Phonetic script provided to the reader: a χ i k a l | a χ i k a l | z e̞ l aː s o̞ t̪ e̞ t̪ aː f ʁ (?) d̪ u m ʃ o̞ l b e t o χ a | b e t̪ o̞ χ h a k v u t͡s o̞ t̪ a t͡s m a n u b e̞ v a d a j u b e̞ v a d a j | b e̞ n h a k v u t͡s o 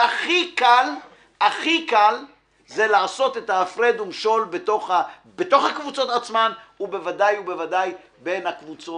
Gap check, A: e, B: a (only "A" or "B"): A